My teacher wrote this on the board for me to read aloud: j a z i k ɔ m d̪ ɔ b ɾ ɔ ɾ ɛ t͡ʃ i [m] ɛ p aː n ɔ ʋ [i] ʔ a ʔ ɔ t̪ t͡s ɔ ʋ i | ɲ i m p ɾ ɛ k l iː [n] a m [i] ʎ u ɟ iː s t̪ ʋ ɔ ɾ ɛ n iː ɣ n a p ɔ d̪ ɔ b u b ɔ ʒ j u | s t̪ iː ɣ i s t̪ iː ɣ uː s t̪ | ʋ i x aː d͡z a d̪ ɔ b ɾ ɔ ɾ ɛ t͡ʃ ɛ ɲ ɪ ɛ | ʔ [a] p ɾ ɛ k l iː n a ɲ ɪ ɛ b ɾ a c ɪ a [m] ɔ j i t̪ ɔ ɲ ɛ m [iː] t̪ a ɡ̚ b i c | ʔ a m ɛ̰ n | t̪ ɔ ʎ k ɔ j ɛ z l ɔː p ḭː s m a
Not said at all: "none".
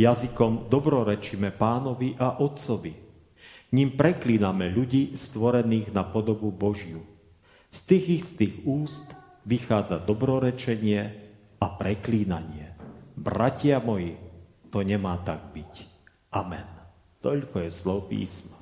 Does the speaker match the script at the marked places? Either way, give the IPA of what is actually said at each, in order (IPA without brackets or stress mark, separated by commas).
m, i, n, ɛ, a, m, aː